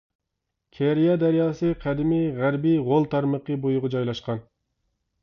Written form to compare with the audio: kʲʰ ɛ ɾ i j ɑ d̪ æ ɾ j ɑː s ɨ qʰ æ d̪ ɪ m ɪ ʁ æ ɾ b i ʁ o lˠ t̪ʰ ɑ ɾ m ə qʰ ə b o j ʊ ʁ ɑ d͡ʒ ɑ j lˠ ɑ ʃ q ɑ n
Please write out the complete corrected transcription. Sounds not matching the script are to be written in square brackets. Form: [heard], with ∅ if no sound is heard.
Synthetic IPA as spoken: kʲʰ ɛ ɾ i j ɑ d̪ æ ɾ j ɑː s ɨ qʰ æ d̪ ɪ m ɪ ʁ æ ɾ b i ʁ o lˠ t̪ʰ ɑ ɾ m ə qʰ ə b o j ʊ ʁ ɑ d͡ʒ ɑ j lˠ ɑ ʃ q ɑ n